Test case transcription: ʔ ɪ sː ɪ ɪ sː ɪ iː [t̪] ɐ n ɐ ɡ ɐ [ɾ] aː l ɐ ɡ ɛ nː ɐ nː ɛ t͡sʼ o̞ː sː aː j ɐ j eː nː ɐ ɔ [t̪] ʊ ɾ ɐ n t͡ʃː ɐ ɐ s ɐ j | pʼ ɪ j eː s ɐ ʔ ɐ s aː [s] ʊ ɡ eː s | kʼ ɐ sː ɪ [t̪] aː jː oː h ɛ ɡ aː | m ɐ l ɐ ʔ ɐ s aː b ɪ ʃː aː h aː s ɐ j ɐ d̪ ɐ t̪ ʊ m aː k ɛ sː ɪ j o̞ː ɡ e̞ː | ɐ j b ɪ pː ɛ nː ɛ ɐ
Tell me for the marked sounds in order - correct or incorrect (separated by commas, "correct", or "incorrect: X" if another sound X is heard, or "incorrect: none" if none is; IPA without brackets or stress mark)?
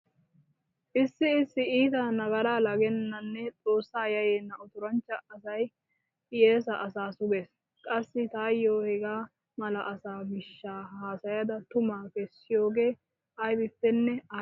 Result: correct, correct, correct, correct, correct